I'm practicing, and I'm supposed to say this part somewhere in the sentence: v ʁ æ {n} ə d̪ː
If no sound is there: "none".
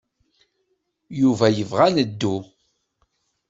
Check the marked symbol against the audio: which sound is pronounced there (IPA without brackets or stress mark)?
n